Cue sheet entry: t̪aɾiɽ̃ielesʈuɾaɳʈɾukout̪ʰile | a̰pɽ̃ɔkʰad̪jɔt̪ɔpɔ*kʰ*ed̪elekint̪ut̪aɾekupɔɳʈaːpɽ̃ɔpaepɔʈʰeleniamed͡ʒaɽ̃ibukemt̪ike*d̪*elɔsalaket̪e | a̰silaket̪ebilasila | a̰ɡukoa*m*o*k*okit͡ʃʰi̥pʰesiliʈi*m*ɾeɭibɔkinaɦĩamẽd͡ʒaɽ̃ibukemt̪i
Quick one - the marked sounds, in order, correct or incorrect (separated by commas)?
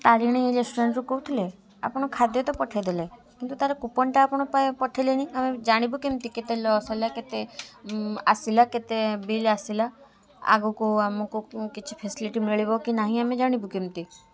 incorrect, incorrect, correct, correct, correct